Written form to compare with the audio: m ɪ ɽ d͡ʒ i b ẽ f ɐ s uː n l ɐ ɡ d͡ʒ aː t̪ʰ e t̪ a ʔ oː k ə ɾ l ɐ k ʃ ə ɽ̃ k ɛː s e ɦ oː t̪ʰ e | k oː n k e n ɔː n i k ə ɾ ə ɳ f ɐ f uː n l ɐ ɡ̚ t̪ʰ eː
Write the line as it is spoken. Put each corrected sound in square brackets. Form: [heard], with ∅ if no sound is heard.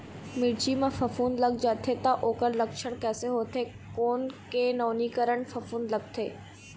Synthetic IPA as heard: m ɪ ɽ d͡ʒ i [m] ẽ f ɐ [f] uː n l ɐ ɡ d͡ʒ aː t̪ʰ e t̪ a ʔ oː k ə ɾ l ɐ k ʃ ə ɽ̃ k ɛː s e ɦ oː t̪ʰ e | k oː n k e n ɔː n i k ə ɾ ə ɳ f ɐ f uː n l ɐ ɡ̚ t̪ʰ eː